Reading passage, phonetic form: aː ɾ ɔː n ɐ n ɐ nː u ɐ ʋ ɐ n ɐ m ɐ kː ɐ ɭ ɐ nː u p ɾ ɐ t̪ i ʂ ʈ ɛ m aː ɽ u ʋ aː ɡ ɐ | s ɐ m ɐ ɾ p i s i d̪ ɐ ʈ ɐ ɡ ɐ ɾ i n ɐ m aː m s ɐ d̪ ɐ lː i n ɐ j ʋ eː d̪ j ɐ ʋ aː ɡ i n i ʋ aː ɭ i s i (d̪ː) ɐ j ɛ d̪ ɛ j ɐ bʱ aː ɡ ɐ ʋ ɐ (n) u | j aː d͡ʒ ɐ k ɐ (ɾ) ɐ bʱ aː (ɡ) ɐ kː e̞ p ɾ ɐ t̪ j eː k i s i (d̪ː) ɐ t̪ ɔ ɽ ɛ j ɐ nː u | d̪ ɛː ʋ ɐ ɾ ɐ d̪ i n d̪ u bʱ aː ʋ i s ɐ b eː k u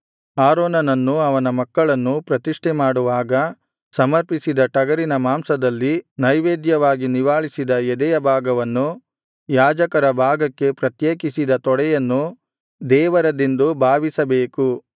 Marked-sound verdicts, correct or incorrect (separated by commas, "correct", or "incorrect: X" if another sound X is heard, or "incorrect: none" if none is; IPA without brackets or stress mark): incorrect: d̪, incorrect: nː, correct, correct, incorrect: d̪